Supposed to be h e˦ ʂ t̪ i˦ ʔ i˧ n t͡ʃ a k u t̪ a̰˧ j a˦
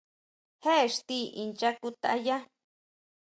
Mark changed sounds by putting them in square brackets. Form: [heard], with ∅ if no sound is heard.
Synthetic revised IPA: h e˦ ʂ t̪ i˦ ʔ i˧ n t͡ʃ a k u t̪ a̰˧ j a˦